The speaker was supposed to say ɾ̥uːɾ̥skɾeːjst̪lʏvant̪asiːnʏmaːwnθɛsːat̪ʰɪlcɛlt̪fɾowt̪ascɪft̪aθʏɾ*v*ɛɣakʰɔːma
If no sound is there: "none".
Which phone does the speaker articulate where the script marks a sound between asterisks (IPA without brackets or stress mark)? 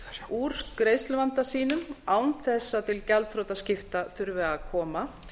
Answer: v